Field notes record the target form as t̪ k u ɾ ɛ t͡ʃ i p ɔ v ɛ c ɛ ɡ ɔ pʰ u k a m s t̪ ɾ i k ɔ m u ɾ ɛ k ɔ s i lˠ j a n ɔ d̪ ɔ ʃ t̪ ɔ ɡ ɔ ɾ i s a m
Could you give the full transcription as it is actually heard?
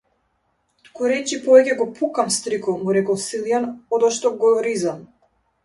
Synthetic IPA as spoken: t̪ k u ɾ ɛ t͡ʃ i p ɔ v ɛ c ɛ ɡ ɔ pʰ u k a m s t̪ ɾ i k ɔ m u ɾ ɛ k ɔ s i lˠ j a n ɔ d̪ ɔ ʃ t̪ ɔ ɡ ɔ ɾ i z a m